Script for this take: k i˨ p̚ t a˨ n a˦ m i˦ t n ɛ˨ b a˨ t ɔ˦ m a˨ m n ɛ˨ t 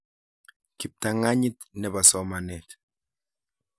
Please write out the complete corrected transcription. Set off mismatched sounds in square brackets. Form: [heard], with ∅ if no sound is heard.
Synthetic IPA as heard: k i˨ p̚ t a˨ [ŋ] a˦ [ɲ] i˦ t n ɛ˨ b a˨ [s] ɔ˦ m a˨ [∅] n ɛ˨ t